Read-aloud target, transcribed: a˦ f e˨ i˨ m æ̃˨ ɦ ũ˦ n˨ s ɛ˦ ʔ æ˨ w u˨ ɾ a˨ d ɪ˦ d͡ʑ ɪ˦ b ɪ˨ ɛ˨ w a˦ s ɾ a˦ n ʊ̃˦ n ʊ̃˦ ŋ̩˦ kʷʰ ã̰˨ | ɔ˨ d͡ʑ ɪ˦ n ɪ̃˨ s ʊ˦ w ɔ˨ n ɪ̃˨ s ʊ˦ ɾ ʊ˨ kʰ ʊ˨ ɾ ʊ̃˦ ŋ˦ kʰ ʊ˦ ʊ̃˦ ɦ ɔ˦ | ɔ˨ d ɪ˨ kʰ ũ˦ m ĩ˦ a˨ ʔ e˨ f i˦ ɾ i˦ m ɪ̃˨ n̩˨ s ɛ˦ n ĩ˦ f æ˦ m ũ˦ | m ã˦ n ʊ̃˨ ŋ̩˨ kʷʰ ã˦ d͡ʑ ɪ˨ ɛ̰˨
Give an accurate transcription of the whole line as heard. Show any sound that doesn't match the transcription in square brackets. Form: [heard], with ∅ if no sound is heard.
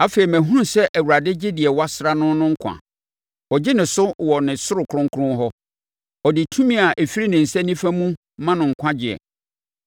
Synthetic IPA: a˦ f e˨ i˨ m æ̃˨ ɦ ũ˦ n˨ s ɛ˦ ʔ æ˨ w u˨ ɾ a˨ d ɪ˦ d͡ʑ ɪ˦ [d] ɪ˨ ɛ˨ w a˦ s ɾ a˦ n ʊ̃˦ n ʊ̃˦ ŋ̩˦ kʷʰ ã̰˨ | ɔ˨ d͡ʑ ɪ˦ n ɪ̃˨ s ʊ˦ w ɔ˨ n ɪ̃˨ s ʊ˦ ɾ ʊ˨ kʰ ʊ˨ ɾ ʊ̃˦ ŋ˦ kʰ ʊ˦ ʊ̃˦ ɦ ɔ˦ | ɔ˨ d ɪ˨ [tʰ] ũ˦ m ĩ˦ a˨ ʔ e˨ f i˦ ɾ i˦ [n] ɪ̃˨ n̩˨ s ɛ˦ n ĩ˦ f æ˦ m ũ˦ | m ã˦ n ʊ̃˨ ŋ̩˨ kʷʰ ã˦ d͡ʑ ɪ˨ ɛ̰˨